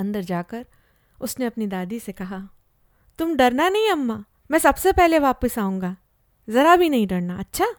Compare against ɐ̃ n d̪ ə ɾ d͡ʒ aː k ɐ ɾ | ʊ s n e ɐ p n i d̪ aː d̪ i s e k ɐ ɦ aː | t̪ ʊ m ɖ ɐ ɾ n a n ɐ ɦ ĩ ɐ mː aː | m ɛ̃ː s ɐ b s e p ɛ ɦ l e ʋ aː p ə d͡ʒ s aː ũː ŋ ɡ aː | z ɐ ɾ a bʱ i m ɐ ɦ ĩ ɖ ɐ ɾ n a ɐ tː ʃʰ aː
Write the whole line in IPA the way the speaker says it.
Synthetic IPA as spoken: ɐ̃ n d̪ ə ɾ d͡ʒ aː k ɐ ɾ | ʊ s n e ɐ p n i d̪ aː d̪ i s e k ɐ ɦ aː | t̪ ʊ m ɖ ɐ ɾ n a n ɐ ɦ ĩ ɐ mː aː | m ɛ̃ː s ɐ b s e p ɛ ɦ l e ʋ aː p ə s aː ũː ŋ ɡ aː | z ɐ ɾ a bʱ i n ɐ ɦ ĩ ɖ ɐ ɾ n a ɐ tː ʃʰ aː